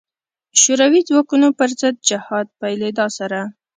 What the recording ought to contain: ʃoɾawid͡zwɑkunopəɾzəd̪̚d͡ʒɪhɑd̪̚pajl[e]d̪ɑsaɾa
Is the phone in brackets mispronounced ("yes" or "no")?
no